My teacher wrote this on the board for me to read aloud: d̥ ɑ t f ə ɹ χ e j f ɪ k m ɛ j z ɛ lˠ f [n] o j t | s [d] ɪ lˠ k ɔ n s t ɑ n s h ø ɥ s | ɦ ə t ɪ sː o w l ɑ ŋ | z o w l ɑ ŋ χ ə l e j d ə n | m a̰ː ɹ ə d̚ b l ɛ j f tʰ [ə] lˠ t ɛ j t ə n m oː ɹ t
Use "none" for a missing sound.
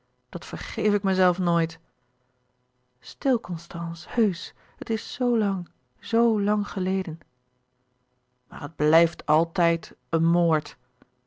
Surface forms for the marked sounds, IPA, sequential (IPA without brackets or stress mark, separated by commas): n, t, ɑ